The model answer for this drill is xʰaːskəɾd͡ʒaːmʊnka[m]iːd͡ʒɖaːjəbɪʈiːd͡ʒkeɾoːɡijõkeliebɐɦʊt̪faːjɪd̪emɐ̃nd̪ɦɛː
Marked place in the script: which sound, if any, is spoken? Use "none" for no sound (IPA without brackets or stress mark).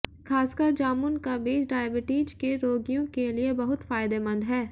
b